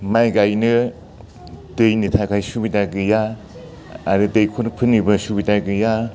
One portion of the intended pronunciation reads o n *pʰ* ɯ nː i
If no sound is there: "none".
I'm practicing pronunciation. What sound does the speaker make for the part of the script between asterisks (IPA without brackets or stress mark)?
pʰ